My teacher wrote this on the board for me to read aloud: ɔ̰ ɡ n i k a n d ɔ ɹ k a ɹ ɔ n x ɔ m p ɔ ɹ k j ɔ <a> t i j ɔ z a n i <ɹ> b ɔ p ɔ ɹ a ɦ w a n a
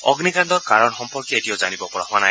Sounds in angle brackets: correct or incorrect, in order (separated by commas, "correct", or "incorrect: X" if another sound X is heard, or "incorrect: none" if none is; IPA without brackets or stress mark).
incorrect: e, incorrect: none